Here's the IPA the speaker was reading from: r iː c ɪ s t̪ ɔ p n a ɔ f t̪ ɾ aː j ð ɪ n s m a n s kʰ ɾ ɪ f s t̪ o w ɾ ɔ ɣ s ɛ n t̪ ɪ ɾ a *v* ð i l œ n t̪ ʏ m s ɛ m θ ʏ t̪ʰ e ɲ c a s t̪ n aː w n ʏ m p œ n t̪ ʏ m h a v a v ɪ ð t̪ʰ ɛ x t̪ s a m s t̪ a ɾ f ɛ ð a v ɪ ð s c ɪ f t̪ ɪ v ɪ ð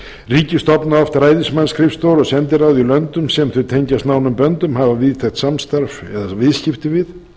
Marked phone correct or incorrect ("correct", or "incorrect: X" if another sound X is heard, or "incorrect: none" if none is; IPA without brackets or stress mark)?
incorrect: w